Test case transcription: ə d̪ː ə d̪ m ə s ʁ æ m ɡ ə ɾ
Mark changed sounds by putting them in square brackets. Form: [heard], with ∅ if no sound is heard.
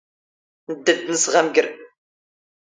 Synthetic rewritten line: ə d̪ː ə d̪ [n] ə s ʁ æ m ɡ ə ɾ